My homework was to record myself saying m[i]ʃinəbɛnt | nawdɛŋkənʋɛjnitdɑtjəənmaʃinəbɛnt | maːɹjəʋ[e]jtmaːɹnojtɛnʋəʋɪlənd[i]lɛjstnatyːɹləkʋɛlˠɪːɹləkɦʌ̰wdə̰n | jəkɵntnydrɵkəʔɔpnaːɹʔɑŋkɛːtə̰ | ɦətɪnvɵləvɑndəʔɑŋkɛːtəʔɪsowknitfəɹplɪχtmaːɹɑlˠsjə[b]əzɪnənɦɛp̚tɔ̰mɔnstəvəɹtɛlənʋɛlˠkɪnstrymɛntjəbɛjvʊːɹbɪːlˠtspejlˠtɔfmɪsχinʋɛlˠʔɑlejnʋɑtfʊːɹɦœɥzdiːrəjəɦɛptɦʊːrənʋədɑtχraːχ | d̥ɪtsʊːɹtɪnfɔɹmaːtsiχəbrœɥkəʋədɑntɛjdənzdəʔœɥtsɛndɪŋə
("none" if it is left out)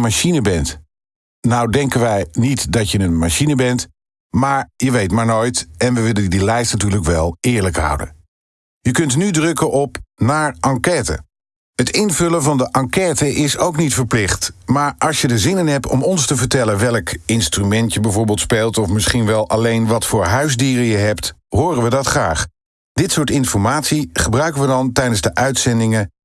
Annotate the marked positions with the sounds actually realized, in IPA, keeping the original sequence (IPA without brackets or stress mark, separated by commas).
a, e, i, d